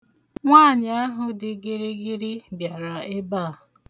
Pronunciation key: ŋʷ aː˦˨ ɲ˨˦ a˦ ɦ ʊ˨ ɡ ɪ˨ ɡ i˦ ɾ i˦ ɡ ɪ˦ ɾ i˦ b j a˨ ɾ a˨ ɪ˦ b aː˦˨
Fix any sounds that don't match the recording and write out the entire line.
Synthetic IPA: ŋʷ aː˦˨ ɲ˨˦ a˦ ɦ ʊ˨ d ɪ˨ ɡ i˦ ɾ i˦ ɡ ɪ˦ ɾ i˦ b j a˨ ɾ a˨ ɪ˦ b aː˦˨